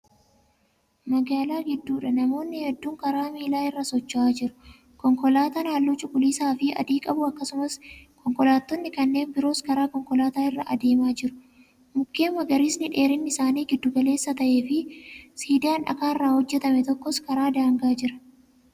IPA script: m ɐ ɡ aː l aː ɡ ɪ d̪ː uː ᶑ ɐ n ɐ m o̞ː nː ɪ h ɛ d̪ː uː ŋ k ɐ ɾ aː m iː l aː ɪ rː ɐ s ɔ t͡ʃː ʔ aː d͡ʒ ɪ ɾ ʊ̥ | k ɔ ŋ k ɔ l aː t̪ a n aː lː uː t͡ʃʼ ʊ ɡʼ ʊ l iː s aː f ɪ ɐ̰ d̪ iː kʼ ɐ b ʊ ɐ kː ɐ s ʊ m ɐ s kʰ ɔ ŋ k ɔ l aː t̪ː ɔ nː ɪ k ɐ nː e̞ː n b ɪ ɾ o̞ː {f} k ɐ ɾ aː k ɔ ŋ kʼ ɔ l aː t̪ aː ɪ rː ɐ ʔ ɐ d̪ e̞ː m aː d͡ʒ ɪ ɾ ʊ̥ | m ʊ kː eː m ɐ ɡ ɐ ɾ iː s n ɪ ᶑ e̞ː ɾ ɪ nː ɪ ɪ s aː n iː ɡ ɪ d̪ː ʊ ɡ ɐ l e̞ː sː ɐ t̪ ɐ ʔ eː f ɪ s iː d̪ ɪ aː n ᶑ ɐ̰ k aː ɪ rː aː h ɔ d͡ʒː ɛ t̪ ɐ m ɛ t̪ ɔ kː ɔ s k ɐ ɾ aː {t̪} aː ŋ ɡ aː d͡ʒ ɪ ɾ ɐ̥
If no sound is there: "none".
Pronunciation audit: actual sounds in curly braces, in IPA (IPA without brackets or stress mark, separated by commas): s, d̪